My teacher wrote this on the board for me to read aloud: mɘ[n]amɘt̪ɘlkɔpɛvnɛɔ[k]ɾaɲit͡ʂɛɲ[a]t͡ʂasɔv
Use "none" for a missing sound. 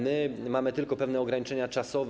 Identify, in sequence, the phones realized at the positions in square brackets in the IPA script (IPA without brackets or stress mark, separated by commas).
m, ɡ, a